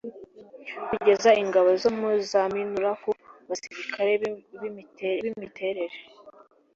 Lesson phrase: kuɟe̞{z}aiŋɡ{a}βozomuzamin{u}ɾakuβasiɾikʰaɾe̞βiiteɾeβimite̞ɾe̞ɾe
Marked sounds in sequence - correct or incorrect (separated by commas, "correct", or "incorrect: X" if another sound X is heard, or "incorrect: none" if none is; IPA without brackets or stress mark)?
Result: correct, correct, correct